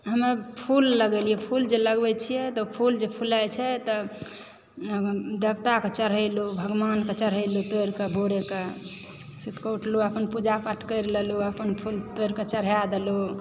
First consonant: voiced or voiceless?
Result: voiced